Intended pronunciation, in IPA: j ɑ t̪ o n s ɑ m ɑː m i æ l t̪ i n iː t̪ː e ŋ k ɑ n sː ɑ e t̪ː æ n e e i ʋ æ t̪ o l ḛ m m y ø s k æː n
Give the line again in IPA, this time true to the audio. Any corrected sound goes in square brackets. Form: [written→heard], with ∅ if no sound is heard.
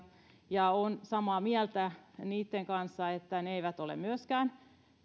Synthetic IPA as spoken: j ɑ [t̪→∅] o n s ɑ m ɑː m i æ l t̪ [i→æ] n iː t̪ː e ŋ k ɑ n sː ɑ e t̪ː æ n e e i ʋ æ t̪ o l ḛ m m y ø s k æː n